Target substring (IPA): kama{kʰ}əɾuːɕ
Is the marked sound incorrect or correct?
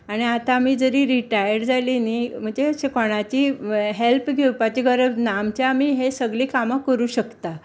incorrect: k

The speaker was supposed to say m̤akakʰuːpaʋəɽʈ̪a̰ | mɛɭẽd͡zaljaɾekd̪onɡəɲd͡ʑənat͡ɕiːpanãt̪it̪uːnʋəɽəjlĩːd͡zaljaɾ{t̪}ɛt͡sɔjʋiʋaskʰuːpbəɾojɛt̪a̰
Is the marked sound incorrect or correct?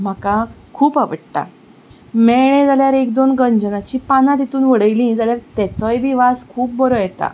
correct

